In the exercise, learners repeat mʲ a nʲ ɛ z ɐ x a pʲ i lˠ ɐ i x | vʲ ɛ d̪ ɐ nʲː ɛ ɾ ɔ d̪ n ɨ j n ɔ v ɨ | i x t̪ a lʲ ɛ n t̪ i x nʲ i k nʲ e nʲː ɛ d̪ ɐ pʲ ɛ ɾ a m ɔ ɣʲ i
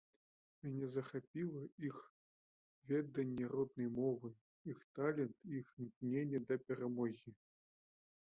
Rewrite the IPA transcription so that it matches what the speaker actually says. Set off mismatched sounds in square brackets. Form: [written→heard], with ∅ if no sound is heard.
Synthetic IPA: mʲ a nʲ ɛ z ɐ x a pʲ i lˠ ɐ i x | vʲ ɛ d̪ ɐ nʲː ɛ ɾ ɔ d̪ n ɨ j [n→m] ɔ v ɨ | i x t̪ a lʲ ɛ n t̪ i x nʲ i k nʲ e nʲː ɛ d̪ ɐ pʲ ɛ ɾ a m ɔ ɣʲ i